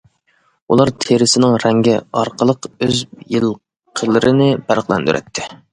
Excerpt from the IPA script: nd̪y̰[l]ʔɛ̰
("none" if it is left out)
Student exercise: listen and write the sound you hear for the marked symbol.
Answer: ɾ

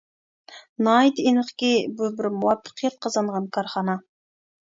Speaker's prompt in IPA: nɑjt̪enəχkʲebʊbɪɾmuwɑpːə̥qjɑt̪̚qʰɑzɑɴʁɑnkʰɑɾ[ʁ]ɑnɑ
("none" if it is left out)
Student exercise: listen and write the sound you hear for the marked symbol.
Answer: χ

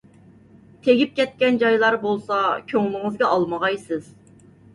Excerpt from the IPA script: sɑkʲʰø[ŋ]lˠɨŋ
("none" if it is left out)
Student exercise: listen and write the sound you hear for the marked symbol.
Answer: ŋ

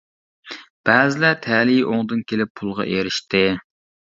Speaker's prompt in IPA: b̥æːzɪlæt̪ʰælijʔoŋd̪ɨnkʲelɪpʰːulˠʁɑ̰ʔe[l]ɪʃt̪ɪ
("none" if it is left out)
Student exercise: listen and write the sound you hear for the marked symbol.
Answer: ɾ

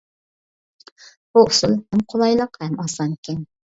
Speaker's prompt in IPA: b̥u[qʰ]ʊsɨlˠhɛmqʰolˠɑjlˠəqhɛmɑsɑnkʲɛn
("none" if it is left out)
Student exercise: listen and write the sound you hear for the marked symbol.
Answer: none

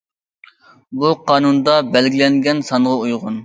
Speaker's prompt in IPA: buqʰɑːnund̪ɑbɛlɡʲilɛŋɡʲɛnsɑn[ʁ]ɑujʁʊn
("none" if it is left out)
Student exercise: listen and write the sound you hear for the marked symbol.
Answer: ʁ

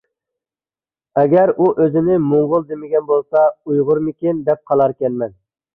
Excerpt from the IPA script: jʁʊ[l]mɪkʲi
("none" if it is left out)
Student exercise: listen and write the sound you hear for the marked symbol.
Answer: ɾ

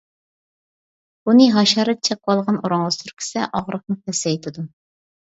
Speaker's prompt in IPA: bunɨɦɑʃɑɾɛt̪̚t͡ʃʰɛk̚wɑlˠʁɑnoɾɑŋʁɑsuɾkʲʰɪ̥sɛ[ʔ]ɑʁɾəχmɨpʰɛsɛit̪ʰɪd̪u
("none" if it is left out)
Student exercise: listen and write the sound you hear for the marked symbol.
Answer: ʔ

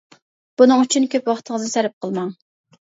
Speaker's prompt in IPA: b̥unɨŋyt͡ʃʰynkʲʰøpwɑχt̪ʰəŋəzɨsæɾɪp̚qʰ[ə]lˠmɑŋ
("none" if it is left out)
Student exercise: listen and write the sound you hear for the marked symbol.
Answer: ə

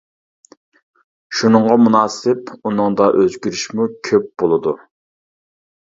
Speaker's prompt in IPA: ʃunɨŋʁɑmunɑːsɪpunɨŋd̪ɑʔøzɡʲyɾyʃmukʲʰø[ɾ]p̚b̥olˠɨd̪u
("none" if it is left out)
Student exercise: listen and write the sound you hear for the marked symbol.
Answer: none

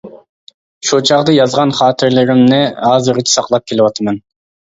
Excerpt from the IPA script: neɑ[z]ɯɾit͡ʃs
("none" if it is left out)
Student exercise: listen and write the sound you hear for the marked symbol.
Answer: z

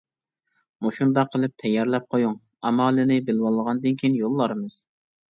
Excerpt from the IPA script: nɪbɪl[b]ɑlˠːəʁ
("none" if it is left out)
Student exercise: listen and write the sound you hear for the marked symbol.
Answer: w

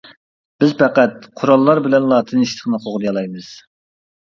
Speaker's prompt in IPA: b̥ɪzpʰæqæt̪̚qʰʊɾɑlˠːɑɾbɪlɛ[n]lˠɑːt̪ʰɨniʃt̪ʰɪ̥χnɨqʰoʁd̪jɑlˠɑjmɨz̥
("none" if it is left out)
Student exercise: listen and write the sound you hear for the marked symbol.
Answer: n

